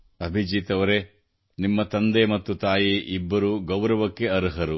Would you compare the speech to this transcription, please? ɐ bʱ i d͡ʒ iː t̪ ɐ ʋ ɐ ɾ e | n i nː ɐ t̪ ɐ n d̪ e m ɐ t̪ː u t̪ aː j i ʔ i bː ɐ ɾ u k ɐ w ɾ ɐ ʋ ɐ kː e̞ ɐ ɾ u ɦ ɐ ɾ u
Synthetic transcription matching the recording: ɐ bʱ i d͡ʒ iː t̪ ɐ ʋ ɐ ɾ e | n i mː ɐ t̪ ɐ n d̪ e m ɐ t̪ː u t̪ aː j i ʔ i bː ɐ ɾ u ɡ ɐ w ɾ ɐ ʋ ɐ kː e̞ ɐ ɾ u ɦ ɐ ɾ u